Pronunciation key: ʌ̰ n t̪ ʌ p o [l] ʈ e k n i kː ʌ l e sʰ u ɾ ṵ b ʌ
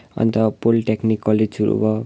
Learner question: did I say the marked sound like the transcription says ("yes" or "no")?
yes